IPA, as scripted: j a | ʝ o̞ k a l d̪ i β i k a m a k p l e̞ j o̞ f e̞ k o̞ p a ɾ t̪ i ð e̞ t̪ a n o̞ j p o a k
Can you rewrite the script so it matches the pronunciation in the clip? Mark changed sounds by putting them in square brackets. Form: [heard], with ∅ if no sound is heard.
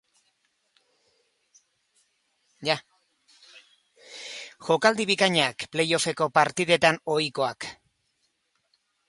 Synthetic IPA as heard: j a | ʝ o̞ k a l d̪ i β i k a [ɲ] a k p l e̞ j o̞ f e̞ k o̞ p a ɾ t̪ i ð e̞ t̪ a n o̞ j [k] o a k